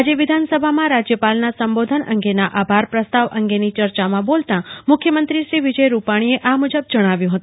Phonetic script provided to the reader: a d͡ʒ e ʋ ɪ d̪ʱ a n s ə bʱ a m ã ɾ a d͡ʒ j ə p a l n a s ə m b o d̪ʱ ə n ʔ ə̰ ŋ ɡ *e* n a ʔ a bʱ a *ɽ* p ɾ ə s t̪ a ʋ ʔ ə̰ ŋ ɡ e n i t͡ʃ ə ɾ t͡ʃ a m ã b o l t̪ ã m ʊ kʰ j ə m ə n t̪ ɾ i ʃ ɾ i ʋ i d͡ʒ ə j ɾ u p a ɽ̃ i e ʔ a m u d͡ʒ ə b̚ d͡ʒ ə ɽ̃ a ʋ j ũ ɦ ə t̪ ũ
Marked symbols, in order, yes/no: yes, no

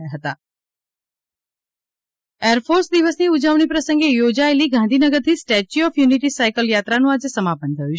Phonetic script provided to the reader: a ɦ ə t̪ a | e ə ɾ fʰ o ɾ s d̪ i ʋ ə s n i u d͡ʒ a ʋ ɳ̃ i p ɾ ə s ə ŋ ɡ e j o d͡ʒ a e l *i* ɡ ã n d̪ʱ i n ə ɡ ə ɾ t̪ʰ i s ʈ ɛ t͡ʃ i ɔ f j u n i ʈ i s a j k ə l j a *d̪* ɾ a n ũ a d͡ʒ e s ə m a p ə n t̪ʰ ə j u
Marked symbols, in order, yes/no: yes, no

